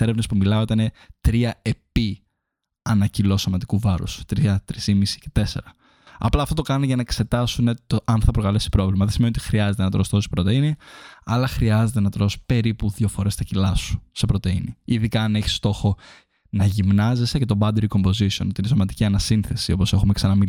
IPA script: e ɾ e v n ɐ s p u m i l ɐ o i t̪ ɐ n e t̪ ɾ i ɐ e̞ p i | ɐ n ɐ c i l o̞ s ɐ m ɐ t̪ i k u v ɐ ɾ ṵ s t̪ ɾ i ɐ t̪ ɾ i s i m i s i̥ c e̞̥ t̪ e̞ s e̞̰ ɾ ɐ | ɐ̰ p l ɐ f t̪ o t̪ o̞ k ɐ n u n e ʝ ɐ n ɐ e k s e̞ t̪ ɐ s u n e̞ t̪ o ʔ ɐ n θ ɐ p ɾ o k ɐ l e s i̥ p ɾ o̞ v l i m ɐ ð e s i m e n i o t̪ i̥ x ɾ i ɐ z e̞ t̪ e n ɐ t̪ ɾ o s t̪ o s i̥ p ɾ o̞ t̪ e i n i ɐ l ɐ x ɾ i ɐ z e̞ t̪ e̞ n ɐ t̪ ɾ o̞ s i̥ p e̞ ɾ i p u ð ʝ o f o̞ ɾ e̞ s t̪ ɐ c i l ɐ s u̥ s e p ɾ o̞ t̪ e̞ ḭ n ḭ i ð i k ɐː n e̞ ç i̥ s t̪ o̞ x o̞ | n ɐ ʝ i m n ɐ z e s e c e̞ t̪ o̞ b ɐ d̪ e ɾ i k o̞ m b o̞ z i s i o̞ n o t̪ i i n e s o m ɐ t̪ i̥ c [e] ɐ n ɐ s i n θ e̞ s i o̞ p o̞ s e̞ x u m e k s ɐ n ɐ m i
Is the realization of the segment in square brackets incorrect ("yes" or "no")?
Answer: yes